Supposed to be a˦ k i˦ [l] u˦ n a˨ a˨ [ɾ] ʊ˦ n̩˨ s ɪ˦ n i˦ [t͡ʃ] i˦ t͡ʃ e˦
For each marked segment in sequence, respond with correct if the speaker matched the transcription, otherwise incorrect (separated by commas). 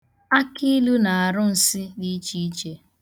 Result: correct, correct, correct